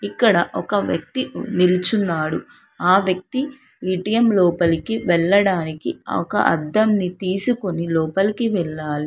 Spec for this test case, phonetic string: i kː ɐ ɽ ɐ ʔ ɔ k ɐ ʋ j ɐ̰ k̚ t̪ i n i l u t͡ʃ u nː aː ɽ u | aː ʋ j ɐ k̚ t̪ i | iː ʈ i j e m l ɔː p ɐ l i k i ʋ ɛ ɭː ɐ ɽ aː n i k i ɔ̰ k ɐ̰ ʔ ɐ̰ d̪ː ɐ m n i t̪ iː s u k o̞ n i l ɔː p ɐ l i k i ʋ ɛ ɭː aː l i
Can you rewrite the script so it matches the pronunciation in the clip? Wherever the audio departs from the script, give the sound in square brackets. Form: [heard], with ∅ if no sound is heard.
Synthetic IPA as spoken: i kː ɐ ɽ ɐ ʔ ɔ k ɐ ʋ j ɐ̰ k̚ t̪ i n i l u t͡ʃ u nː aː ɽ u | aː ʋ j ɐ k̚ t̪ i | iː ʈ i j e m l ɔː p ɐ l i k i ʋ ɛ ɭː ɐ ɽ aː n i k i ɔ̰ k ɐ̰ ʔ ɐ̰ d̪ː ɐ m n i t̪ iː s u k o̞ n i l ɔː p ɐ l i k i ʋ ɛ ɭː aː l i